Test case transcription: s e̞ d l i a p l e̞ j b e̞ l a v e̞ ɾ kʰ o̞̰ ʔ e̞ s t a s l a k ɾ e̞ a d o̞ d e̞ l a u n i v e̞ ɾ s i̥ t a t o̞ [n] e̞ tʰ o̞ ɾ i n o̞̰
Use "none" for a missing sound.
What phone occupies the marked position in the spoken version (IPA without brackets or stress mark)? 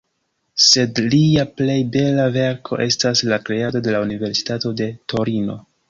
d